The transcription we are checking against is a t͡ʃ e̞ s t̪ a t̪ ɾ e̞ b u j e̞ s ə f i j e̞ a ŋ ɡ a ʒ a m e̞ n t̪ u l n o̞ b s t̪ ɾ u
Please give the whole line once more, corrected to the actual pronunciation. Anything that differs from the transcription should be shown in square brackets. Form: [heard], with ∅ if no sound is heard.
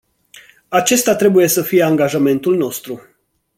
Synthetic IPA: a t͡ʃ e̞ s t̪ a t̪ ɾ e̞ b u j e̞ s ə f i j e̞ a ŋ ɡ a ʒ a m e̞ n t̪ u l n o̞ [∅] s t̪ ɾ u